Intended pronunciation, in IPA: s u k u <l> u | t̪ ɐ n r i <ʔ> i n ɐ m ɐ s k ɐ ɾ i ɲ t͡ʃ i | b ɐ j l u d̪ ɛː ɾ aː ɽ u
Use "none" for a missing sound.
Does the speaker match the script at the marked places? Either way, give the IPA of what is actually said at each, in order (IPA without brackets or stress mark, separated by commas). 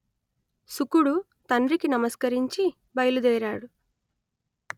ɽ, k